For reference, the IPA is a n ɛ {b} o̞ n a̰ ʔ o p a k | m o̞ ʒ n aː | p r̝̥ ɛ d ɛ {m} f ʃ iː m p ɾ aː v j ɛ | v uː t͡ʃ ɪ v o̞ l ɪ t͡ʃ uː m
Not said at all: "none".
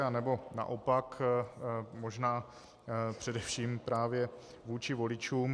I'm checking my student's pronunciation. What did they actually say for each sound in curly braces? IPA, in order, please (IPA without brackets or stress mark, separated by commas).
b, none